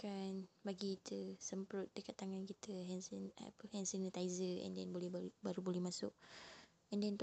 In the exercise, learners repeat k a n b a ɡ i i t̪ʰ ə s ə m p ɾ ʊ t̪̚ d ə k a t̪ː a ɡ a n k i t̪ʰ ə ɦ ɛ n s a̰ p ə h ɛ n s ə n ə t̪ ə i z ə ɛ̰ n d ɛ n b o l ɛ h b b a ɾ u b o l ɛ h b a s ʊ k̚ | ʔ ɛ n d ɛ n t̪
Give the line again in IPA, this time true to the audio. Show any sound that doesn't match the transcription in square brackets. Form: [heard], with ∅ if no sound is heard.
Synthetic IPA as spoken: k a n b a ɡ i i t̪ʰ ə s ə m p ɾ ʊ t̪̚ d ə k a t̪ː a [ŋ] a n k i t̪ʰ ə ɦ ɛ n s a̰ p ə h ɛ n s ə n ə t̪ [a] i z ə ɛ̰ n d ɛ n b o l ɛ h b b a ɾ u b o l ɛ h [m] a s ʊ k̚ | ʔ ɛ n d ɛ n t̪